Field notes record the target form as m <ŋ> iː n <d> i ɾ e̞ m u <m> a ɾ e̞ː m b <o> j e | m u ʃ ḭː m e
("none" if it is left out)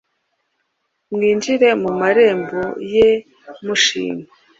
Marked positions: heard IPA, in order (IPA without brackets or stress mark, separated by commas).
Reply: ŋ, d͡ʒ, m, o